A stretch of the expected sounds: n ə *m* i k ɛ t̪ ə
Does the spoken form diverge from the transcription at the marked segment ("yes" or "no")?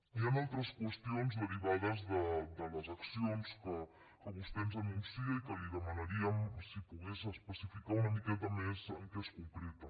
no